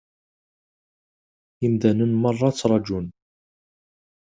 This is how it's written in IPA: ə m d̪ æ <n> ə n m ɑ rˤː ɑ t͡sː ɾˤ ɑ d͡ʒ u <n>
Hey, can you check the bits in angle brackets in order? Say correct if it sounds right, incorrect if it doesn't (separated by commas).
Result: correct, correct